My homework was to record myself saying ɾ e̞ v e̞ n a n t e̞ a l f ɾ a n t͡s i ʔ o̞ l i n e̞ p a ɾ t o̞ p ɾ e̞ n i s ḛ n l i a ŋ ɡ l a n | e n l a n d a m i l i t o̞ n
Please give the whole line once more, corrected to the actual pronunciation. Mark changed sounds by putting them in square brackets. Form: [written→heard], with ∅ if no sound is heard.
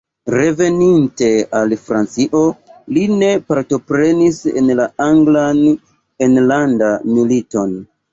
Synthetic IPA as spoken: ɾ e̞ v e̞ n [a→i] n t e̞ a l f ɾ a n t͡s i ʔ o̞ l i n e̞ p a ɾ t o̞ p ɾ e̞ n i s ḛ n l [i→a] a ŋ ɡ l a n | e n l a n d a m i l i t o̞ n